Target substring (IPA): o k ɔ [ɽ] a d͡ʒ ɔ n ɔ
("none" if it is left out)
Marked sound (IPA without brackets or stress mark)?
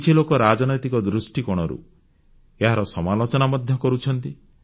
ɾ